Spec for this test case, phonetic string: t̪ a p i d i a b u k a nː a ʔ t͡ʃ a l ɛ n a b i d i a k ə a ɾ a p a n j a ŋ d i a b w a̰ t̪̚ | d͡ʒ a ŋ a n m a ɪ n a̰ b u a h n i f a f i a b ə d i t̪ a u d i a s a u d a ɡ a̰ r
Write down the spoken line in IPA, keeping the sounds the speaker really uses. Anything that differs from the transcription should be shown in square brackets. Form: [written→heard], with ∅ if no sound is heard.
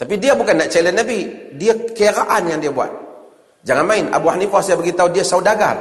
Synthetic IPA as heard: t̪ a p i d i a b u k a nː a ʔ t͡ʃ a l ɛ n a b i d i a k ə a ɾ a [p→ʔ] a n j a ŋ d i a b [w→u] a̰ t̪̚ | d͡ʒ a ŋ a n m a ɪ n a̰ b u a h n i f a [f→s] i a b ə [d→ɡ] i t̪ a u d i a s a u d a ɡ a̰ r